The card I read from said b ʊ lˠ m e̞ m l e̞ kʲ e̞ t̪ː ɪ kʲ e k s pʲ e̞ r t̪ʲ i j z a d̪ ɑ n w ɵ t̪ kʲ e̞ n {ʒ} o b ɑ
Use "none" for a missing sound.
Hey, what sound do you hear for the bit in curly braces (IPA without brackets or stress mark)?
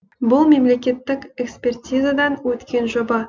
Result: ʒ